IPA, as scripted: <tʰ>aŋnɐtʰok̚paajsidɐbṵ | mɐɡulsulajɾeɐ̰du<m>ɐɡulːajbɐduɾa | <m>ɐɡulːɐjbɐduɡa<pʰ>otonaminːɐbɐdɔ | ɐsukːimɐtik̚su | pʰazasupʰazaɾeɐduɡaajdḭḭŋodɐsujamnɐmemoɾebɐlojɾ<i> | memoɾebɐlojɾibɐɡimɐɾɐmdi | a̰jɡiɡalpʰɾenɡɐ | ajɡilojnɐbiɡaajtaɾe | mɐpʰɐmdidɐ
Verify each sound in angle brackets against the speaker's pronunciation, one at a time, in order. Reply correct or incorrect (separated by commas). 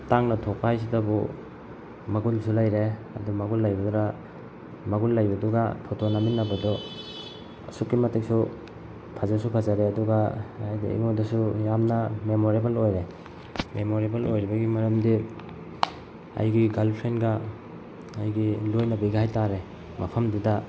incorrect, correct, correct, correct, incorrect